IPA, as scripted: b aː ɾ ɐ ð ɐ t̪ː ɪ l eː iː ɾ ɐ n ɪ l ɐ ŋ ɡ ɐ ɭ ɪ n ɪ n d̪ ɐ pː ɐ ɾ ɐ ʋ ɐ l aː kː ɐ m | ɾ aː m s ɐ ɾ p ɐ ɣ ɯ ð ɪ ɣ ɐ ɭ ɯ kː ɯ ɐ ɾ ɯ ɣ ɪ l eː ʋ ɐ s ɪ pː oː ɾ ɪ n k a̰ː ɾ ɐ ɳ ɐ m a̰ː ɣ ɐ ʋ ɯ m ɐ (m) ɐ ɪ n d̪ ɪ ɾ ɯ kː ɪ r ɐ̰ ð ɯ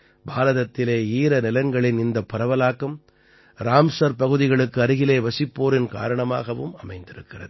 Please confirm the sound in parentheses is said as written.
yes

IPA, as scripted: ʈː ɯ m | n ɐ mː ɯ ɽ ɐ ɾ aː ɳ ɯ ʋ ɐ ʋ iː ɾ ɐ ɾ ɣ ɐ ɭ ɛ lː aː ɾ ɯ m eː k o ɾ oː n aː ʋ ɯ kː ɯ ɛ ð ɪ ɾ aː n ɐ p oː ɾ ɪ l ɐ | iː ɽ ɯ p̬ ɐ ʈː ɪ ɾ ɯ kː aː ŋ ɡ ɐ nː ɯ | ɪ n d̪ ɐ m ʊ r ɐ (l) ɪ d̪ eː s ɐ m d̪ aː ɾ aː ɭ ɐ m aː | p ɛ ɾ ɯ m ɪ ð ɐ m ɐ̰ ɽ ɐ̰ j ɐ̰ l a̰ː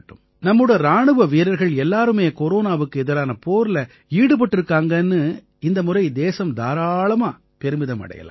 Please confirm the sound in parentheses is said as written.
no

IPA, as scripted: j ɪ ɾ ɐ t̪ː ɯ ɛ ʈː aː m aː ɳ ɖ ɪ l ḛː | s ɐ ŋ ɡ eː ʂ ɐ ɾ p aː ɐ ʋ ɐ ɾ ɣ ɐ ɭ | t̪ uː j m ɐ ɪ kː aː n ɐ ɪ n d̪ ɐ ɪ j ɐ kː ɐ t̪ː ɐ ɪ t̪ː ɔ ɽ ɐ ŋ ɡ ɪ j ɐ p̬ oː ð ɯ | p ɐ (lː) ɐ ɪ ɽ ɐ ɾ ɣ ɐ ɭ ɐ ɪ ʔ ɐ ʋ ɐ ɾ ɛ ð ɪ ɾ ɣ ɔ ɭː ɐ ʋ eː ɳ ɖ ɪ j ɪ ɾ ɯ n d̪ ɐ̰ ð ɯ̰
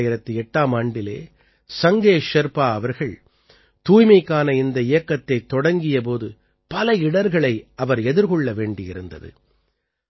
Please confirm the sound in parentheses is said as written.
no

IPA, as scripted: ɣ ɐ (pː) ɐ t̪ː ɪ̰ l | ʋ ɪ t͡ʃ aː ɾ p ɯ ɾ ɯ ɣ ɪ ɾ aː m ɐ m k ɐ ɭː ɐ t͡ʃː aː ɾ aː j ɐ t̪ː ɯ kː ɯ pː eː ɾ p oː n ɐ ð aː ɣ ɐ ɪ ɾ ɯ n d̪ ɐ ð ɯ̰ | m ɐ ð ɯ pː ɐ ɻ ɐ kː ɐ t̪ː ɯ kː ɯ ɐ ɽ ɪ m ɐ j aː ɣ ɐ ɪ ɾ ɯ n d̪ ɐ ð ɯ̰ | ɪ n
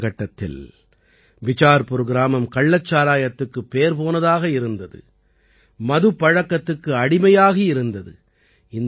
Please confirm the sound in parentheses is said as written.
no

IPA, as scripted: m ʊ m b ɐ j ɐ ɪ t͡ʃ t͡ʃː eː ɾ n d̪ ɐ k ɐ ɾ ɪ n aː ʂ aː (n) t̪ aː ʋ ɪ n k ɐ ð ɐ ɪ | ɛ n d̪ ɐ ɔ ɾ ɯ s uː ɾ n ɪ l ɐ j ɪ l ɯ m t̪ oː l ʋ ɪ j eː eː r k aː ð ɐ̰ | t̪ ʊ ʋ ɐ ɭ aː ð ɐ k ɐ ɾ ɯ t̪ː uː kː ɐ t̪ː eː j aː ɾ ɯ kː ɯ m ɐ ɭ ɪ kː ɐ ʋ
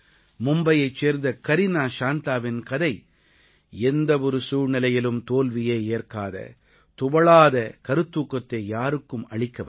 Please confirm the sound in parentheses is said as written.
yes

